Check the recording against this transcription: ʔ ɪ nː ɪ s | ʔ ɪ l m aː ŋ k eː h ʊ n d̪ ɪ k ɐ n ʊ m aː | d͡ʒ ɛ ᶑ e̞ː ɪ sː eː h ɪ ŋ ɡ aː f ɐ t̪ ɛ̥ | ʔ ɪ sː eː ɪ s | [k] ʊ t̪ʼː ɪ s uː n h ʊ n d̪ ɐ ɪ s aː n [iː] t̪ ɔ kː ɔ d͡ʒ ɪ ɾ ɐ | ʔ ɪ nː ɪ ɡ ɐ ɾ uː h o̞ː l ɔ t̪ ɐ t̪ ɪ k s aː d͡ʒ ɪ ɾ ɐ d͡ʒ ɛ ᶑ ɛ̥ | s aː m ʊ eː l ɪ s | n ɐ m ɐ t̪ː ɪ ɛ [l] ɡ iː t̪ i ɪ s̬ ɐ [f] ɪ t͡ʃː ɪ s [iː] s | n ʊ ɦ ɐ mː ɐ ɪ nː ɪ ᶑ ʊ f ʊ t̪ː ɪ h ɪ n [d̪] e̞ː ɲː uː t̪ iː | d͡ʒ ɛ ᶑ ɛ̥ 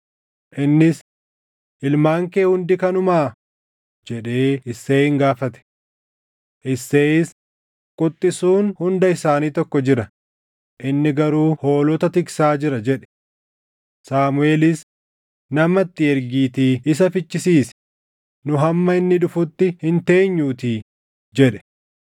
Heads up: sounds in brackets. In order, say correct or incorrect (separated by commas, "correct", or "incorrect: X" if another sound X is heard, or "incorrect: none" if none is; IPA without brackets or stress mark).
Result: incorrect: kʼ, correct, incorrect: ɾ, correct, correct, incorrect: t̪